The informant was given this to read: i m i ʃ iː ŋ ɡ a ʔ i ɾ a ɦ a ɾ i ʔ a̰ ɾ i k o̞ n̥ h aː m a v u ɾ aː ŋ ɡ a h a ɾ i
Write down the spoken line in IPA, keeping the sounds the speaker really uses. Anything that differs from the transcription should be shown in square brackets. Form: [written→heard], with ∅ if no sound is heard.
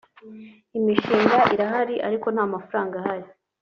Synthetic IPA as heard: i m i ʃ iː ŋ ɡ a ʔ i ɾ a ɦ a ɾ i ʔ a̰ ɾ i k o̞ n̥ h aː m a [v→f] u ɾ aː ŋ ɡ a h a ɾ i